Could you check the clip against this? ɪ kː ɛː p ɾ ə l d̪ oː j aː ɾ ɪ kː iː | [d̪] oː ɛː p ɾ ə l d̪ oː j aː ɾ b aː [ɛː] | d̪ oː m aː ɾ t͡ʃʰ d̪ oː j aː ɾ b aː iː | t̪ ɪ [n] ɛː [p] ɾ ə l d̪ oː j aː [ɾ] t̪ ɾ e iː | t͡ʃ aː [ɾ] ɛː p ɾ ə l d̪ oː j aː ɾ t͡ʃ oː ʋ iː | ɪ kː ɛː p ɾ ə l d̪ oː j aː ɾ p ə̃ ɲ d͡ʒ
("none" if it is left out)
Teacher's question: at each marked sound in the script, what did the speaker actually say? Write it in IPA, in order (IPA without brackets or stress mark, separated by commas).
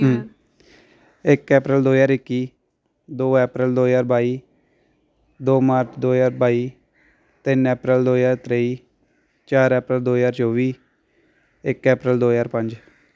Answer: d̪, iː, n, p, ɾ, ɾ